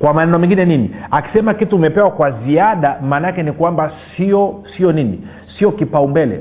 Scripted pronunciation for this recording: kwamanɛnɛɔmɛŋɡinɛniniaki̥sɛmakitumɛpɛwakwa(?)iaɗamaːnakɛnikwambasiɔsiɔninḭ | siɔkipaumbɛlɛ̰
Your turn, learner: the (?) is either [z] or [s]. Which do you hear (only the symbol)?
z